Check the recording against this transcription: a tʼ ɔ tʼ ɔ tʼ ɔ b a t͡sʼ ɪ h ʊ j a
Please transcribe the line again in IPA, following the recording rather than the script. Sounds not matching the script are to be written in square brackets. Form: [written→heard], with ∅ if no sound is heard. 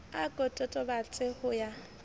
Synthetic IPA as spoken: a [tʼ→kʼ] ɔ tʼ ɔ tʼ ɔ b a t͡sʼ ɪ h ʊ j a